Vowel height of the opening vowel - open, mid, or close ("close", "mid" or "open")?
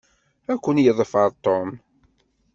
open